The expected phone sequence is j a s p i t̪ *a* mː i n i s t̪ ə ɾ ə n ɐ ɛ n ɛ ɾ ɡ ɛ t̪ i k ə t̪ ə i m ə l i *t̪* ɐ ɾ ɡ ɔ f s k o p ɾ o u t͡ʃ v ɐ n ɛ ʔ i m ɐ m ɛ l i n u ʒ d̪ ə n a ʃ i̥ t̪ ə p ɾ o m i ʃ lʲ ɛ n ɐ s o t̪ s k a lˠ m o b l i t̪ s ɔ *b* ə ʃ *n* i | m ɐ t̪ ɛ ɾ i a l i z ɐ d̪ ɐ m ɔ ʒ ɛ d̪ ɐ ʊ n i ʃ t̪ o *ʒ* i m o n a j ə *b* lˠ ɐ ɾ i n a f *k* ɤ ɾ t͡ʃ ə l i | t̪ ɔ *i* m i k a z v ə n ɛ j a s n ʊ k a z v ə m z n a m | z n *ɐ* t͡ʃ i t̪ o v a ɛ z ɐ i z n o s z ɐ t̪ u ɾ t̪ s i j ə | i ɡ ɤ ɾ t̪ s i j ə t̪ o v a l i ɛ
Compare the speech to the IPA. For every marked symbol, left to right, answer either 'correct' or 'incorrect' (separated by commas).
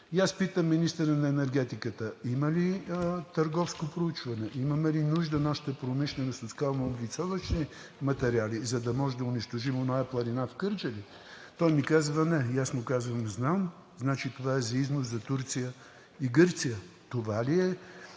incorrect, correct, incorrect, correct, correct, incorrect, correct, incorrect, incorrect